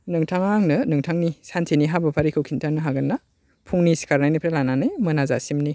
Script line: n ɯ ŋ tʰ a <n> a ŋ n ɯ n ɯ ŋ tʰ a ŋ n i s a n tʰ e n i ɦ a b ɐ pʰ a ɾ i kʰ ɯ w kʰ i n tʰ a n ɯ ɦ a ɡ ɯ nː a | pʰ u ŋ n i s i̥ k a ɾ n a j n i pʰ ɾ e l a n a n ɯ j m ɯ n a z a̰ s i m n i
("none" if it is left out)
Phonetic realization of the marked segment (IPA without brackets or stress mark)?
ŋ